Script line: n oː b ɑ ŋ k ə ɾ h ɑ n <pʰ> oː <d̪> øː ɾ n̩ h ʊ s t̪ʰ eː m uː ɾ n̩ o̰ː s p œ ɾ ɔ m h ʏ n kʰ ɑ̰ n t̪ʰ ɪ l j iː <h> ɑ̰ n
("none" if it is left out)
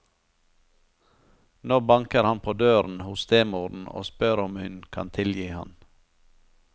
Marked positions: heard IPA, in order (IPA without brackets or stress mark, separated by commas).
pʰ, d̪, h